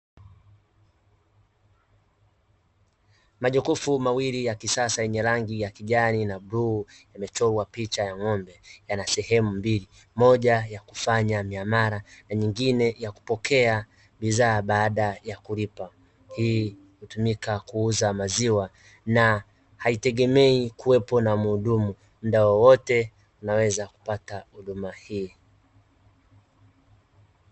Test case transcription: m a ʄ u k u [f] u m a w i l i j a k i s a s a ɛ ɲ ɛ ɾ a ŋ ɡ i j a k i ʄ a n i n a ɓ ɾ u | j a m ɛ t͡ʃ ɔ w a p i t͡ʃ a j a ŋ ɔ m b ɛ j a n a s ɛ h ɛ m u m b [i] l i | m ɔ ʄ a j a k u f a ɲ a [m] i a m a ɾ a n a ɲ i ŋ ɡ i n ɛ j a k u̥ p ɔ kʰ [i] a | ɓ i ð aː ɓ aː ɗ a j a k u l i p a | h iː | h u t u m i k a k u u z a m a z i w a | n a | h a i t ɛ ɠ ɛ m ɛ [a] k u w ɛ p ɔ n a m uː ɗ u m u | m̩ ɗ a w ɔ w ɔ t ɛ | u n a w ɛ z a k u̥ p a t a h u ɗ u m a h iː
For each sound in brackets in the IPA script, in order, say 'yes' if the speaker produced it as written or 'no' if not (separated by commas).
yes, yes, yes, no, no